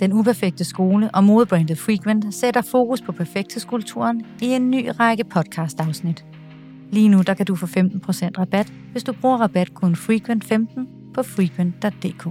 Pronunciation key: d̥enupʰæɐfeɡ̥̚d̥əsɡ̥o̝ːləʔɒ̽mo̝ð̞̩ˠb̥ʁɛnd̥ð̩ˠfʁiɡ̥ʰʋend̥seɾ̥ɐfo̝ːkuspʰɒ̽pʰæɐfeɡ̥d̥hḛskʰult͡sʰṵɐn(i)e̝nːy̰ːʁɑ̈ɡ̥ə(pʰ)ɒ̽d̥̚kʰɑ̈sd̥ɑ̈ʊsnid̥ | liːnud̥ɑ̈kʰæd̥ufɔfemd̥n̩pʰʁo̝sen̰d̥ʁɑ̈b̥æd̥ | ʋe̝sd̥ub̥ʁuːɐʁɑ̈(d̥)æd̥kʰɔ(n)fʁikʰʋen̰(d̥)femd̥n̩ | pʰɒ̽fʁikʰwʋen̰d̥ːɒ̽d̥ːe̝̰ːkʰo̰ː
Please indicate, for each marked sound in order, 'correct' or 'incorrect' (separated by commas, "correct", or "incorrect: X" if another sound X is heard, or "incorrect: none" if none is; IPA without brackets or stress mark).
correct, correct, incorrect: b̥, correct, correct